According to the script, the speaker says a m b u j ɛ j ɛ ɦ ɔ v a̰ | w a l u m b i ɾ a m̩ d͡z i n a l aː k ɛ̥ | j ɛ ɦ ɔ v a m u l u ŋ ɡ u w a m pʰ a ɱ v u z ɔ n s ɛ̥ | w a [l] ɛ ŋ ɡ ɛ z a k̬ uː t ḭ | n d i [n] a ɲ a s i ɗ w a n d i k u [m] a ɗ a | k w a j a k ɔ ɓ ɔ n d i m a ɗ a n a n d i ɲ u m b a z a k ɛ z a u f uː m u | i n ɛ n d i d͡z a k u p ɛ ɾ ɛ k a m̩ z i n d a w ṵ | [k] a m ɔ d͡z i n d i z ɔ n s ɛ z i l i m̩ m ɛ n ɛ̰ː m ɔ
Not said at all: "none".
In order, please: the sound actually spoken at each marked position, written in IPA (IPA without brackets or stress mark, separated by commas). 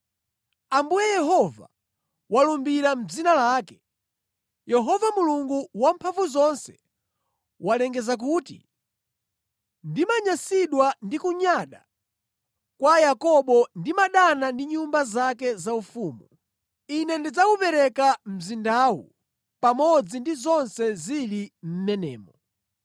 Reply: l, m, ɲ, p